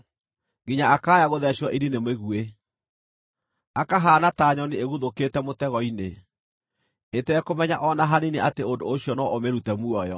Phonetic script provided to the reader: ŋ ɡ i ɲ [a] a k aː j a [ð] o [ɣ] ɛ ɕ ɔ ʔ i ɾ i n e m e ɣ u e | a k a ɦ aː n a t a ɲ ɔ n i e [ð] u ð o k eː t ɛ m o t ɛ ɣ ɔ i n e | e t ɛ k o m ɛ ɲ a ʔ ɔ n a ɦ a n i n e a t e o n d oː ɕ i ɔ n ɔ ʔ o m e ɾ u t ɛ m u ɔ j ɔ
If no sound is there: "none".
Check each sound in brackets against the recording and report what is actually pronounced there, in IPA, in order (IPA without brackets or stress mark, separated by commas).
a, ɣ, ð, ɣ